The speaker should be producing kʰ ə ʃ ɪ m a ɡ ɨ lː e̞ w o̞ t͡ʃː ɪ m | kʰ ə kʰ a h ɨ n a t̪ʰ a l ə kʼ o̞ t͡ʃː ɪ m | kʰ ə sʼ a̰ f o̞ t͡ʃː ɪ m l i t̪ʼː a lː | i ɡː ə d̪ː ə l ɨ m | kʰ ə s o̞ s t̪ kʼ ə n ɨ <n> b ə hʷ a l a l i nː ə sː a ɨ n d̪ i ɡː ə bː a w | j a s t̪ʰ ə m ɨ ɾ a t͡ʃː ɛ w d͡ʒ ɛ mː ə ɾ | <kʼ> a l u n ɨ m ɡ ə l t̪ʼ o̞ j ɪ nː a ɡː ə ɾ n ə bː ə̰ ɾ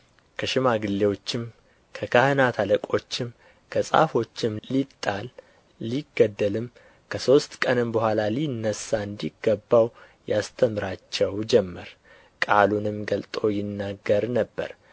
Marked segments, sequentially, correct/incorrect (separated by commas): incorrect, correct